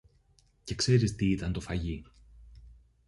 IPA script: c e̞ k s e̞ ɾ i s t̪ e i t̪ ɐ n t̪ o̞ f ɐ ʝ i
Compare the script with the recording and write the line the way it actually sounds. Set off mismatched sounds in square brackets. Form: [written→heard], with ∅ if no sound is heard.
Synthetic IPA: c e̞ k s e̞ ɾ i s t̪ [e→i] i t̪ ɐ n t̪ o̞ f ɐ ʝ i

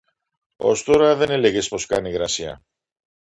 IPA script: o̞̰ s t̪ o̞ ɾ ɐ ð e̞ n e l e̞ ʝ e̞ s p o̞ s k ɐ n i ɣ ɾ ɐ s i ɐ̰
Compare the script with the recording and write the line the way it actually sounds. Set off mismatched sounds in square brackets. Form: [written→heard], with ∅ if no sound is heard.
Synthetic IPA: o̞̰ s t̪ o̞ ɾ ɐ ð e̞ n e l e̞ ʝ e̞ s p o̞ s k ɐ n i ɣ ɾ ɐ s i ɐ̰

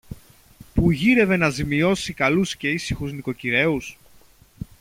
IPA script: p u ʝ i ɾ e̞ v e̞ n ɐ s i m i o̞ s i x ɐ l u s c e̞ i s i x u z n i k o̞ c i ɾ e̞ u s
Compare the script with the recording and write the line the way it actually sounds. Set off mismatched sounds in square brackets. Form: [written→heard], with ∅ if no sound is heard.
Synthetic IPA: p u ʝ i ɾ e̞ v e̞ n ɐ [s→z] i m i o̞ s i [x→k] ɐ l u s c e̞ i s i x u z n i k o̞ c i ɾ e̞ u s

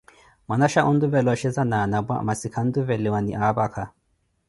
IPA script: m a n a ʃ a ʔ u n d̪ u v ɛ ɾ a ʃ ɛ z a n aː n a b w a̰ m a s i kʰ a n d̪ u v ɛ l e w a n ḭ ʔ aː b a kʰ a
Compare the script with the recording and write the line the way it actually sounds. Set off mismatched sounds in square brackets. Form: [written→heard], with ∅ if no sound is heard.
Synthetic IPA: m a n a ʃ a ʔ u n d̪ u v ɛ [ɾ→l] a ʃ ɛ z a n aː n a b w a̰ m a s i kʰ a n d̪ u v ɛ l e w a n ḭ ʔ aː b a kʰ a

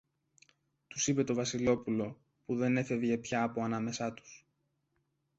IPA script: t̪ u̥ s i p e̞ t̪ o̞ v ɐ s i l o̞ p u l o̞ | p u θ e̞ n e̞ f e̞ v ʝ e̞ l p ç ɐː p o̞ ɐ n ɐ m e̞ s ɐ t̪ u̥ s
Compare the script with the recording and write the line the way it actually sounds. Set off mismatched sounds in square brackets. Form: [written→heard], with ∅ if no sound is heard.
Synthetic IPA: t̪ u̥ s i p e̞ t̪ o̞ v ɐ s i l o̞ p u l o̞ | p u [θ→ð] e̞ n e̞ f e̞ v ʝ e̞ [l→∅] p ç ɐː p o̞ ɐ n ɐ m e̞ s ɐ t̪ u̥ s

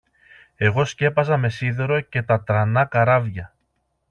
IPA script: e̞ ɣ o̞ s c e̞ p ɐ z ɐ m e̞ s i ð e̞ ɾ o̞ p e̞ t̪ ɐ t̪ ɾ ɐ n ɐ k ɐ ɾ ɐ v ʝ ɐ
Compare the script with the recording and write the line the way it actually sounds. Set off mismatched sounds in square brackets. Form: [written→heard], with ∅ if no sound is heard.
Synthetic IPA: e̞ ɣ o̞ s c e̞ p ɐ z ɐ m e̞ s i ð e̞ ɾ o̞ [p→c] e̞ t̪ ɐ t̪ ɾ ɐ n ɐ k ɐ ɾ ɐ v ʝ ɐ

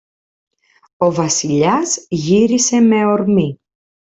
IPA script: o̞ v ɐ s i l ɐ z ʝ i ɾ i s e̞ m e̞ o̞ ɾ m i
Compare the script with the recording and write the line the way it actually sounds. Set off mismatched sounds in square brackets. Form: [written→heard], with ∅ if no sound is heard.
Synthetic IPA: o̞ v ɐ s i [l→ʎ] ɐ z ʝ i ɾ i s e̞ m e̞ o̞ ɾ m i

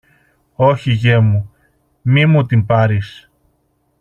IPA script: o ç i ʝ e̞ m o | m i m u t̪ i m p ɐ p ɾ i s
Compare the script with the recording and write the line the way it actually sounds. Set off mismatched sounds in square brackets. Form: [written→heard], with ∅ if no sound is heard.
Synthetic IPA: o ç i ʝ e̞ m [o→u] | m i m u t̪ i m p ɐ [p→∅] ɾ i s

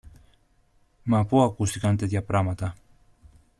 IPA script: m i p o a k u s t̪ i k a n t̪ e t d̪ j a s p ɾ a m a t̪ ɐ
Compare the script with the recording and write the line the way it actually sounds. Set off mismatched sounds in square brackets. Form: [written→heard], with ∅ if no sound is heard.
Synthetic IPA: m [i→a] p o a k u s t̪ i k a n t̪ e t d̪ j a [s→∅] p ɾ a m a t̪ [ɐ→a]

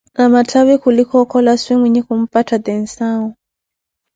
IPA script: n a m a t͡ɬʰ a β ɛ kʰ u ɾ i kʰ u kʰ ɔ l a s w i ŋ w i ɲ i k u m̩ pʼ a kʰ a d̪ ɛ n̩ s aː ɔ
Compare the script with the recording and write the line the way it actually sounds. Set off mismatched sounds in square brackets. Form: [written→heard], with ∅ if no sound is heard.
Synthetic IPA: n a m a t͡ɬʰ a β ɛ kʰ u [ɾ→l] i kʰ [u→ɔ] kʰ ɔ l a s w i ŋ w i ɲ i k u m̩ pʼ a [kʰ→tʰ] a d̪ ɛ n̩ s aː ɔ

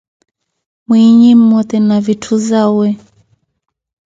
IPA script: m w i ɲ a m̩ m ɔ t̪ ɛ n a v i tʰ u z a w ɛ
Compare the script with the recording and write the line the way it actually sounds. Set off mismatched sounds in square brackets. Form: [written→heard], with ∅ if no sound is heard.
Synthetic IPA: m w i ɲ [a→i] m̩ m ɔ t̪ ɛ n a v i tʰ u z a w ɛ

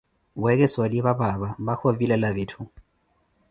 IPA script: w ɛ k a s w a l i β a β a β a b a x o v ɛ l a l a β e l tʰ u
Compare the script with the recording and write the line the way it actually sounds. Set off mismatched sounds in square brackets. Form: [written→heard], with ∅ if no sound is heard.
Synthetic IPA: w ɛ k [a→ɛ] s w a l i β a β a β a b a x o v [ɛ→i] l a l a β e [l→∅] tʰ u

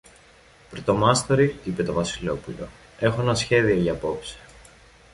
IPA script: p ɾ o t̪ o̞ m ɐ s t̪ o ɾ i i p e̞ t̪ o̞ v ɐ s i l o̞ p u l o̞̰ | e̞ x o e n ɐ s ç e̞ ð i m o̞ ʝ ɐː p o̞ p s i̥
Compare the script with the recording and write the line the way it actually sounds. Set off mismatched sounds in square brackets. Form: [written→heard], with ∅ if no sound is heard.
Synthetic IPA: p ɾ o t̪ o̞ m ɐ s t̪ o ɾ i i p e̞ t̪ o̞ v ɐ s i l o̞ p u l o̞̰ | e̞ x o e n ɐ s ç e̞ ð i [m→∅] o̞ ʝ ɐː p o̞ p s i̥

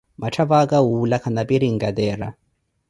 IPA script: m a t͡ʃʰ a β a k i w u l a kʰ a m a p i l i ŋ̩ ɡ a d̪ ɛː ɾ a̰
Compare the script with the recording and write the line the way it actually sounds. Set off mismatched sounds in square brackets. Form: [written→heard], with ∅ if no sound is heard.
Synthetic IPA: m a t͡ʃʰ a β a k [i→a] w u l a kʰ a [m→n] a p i [l→ɾ] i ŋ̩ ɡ a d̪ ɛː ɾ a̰

